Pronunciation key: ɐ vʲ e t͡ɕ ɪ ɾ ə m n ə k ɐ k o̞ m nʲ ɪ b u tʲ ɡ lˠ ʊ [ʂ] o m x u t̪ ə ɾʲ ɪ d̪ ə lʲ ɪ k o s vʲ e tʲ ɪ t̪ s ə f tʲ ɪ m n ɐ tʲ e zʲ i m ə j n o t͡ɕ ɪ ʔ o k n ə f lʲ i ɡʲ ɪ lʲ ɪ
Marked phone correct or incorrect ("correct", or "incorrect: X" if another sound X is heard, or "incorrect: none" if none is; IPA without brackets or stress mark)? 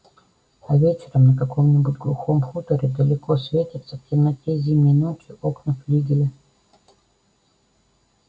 incorrect: x